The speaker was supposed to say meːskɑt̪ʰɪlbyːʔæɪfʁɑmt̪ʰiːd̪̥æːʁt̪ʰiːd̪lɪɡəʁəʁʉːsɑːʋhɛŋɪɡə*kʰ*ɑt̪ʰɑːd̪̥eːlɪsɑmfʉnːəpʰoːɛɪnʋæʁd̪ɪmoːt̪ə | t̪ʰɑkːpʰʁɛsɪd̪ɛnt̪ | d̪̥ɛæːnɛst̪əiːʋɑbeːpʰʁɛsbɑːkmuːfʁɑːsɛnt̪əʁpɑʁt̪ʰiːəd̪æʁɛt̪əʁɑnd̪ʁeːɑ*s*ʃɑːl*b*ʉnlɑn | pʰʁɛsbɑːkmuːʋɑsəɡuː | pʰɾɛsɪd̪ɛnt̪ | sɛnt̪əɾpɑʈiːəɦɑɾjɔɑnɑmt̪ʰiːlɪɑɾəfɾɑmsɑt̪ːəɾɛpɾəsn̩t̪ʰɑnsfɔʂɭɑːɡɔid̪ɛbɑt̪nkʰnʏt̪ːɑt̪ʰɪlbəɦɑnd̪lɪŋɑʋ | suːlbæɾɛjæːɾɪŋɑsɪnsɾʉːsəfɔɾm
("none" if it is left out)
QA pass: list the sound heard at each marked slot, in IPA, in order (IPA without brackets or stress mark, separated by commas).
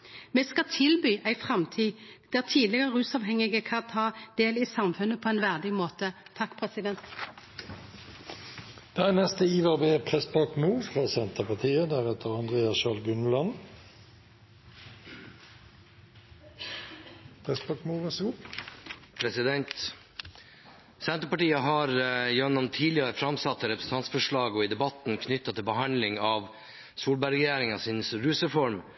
kʰ, s, ɡ